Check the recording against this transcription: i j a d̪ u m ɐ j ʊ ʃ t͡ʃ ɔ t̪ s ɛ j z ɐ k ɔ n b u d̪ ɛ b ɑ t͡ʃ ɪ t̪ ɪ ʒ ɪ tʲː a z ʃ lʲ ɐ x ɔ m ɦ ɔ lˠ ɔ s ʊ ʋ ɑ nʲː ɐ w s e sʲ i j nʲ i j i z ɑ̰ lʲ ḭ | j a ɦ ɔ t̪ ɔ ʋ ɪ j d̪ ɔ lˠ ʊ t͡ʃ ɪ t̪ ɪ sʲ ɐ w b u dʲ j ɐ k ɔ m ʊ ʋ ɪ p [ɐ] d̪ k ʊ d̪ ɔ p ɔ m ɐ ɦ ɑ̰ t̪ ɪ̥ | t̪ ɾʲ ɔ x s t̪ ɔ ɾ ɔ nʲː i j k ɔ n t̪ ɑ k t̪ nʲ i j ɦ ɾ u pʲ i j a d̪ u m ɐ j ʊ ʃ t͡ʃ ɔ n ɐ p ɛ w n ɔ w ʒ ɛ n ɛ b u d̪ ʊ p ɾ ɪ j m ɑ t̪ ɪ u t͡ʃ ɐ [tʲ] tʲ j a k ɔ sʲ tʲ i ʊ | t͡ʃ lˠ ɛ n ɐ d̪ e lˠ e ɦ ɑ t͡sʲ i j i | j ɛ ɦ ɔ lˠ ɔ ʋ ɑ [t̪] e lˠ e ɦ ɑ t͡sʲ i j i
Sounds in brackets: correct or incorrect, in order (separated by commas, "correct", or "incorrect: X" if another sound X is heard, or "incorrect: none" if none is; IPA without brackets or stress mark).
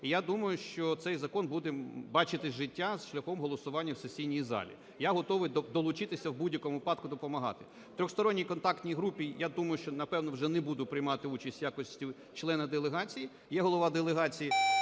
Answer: incorrect: ɑ, incorrect: sʲ, incorrect: d̪